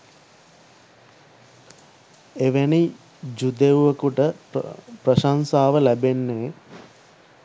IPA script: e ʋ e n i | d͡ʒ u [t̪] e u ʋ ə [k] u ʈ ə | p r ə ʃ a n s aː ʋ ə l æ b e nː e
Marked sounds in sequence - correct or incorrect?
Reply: incorrect, correct

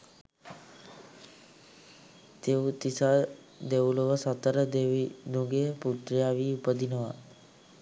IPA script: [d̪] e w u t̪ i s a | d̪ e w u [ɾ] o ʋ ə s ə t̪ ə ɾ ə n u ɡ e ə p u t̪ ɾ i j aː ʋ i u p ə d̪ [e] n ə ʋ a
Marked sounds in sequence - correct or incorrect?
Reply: incorrect, incorrect, incorrect

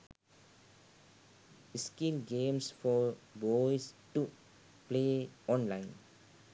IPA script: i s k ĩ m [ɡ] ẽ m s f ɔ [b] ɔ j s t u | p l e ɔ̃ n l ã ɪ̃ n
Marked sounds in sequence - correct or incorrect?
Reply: correct, correct

